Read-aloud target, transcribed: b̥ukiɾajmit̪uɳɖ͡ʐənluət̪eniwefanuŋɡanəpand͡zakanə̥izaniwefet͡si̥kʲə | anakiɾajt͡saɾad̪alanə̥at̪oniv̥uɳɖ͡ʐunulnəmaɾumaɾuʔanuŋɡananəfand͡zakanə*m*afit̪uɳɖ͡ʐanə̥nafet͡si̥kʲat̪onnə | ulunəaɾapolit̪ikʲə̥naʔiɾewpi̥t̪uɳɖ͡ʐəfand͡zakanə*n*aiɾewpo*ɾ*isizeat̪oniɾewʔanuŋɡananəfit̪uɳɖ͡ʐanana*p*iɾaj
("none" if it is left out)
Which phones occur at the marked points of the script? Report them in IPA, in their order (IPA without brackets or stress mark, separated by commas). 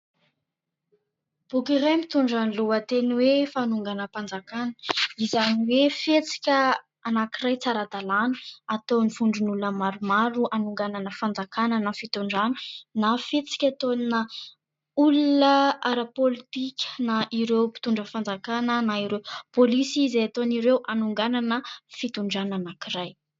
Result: n, n, l, k